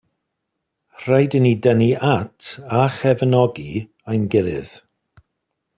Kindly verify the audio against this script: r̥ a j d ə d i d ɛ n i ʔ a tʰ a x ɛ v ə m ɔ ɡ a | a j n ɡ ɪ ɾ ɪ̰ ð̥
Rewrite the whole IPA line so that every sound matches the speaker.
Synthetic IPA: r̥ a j d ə n i d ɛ n i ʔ a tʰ a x ɛ v ə n ɔ ɡ i | a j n ɡ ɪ ɾ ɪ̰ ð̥

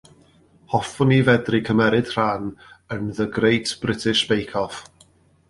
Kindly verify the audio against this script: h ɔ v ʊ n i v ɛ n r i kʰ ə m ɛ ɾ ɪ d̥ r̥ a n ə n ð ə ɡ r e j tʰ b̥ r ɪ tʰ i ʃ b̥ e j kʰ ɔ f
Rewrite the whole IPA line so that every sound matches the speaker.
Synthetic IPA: h ɔ f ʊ n i v ɛ d r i kʰ ə m ɛ ɾ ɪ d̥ r̥ a n ə n ð ə ɡ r e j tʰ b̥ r ɪ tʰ ɪ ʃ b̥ e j kʰ ɔ f

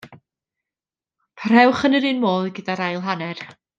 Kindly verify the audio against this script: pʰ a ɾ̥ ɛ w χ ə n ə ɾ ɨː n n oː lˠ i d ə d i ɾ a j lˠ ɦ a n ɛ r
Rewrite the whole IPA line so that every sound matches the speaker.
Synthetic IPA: pʰ a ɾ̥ ɛ w χ ə n ə ɾ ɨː n m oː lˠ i ɡ ə d a ɾ a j lˠ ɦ a n ɛ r

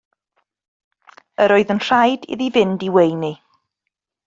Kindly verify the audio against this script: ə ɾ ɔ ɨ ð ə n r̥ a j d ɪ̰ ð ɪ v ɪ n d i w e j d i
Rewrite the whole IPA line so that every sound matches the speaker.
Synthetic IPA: ə ɾ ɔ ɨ ð ə n r̥ a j d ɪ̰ ð i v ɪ n d i w e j n i

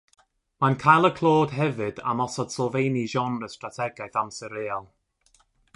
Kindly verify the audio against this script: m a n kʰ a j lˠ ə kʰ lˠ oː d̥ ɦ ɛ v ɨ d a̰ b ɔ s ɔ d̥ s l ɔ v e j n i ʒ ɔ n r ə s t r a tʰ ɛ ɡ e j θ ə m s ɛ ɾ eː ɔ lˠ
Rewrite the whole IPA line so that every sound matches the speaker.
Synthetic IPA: m a n kʰ a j lˠ ə kʰ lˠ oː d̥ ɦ ɛ v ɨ d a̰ m ɔ s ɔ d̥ s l ɔ v e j n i ʒ ɔ n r ə s t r a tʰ ɛ ɡ a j θ a m s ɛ ɾ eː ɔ lˠ

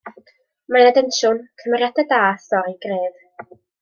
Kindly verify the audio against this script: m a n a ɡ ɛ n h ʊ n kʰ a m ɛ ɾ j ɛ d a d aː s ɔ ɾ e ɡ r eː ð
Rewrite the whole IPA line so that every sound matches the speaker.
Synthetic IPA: m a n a d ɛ n ʃ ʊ n kʰ ə m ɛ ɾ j a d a d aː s ɔ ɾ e ɡ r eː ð

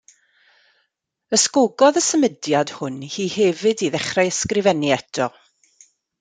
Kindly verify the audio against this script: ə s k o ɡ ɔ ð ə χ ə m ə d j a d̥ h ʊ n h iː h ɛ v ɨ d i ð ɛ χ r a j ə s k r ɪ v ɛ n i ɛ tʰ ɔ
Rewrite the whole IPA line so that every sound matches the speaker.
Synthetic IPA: ə s k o ɡ ɔ ð ə s ə m ə d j a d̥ h ʊ n h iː h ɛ v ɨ d i ð ɛ χ r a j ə s k r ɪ v ɛ n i ɛ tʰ ɔ

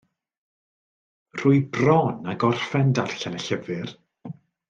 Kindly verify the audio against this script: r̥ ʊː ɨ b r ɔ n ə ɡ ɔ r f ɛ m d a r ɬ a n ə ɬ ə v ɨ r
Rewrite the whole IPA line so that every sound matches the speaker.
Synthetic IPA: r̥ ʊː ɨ b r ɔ n a ɡ ɔ r f ɛ n d a r ɬ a n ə ɬ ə v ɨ r

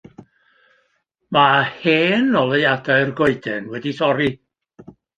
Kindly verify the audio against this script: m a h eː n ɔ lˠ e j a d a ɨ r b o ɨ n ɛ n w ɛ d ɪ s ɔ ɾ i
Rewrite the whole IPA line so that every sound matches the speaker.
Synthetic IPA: m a h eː n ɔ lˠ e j a d a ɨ r ɡ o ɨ d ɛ n w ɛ d i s ɔ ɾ i

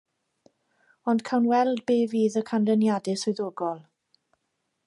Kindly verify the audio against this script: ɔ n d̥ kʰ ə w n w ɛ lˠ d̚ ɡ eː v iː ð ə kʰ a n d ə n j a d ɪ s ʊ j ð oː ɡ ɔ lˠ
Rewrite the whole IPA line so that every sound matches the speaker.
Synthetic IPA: ɔ n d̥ kʰ a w n w ɛ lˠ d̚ b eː v iː ð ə kʰ a n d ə n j a d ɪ s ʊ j ð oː ɡ ɔ lˠ

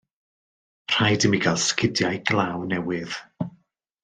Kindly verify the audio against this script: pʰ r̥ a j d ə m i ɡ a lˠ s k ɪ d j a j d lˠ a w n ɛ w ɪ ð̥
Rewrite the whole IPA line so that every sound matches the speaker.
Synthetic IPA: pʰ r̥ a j d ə m i ɡ a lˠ s k ɪ d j a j ɡ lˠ a w n ɛ w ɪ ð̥

